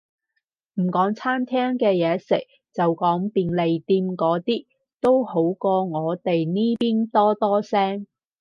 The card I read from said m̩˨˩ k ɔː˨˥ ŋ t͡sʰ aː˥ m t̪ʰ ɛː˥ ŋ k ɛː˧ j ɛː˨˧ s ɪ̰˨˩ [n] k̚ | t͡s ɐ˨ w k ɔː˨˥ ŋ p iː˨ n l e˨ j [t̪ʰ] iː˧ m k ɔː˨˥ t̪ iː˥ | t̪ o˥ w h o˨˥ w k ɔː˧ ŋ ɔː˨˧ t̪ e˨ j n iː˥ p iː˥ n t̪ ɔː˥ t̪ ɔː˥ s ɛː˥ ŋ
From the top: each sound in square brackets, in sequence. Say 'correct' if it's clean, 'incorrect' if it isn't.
incorrect: none, incorrect: t̪

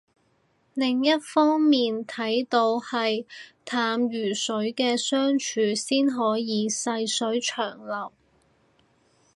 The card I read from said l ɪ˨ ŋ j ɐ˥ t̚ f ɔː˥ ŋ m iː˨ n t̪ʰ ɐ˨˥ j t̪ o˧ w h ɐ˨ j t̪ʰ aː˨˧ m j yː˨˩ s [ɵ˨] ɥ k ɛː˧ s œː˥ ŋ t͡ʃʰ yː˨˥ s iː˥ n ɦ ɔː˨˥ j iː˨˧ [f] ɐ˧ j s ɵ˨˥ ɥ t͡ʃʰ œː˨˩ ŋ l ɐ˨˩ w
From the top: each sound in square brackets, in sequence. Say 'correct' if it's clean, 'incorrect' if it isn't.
incorrect: ɵ˨˥, incorrect: s

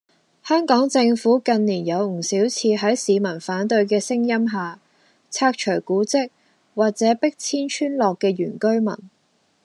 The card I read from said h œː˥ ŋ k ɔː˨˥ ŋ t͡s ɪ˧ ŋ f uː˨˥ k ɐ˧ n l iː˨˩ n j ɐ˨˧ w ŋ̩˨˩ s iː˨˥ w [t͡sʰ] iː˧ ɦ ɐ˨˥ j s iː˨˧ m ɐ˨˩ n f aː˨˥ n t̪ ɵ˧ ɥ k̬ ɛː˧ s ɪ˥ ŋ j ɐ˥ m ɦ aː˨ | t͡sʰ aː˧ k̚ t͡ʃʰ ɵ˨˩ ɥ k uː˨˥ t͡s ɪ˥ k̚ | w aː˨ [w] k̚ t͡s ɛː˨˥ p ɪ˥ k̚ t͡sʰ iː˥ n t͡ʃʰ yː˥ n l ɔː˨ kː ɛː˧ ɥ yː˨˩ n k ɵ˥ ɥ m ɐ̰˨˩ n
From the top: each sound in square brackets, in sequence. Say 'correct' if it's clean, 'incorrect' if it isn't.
correct, incorrect: none

